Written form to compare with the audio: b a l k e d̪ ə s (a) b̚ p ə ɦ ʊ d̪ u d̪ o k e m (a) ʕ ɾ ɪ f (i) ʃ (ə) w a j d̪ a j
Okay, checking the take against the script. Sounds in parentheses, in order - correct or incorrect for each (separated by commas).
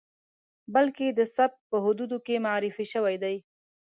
correct, correct, correct, correct